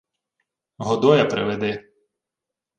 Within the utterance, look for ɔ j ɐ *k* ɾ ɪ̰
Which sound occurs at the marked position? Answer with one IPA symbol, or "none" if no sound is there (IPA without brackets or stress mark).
p